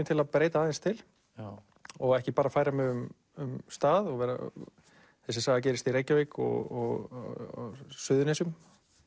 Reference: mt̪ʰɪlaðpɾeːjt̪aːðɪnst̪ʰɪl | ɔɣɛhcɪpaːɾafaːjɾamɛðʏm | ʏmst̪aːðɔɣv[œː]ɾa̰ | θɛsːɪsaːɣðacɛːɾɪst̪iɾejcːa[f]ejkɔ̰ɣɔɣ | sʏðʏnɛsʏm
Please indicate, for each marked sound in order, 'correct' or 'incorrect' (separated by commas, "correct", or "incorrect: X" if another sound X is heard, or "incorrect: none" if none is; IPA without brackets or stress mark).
incorrect: ɛː, incorrect: v